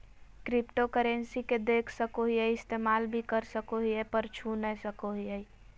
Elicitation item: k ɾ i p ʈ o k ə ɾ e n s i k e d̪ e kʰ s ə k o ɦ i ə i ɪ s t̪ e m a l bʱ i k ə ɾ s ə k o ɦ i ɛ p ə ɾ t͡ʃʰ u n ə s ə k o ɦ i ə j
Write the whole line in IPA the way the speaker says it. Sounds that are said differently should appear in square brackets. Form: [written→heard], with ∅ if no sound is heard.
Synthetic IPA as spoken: k ɾ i p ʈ o k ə ɾ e n s i k e d̪ e kʰ s ə k o ɦ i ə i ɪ s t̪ e m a l bʱ i k ə ɾ s ə k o ɦ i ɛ p ə ɾ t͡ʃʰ u n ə s ə k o ɦ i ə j